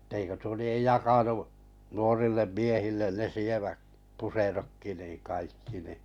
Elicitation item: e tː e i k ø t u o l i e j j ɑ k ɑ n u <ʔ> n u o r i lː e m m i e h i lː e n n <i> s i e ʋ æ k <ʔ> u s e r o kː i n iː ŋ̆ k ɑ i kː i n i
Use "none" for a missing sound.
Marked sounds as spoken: ʔ, e, p

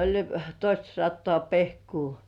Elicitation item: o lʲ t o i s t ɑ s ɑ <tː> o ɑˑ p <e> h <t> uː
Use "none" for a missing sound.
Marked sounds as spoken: tː, e, k

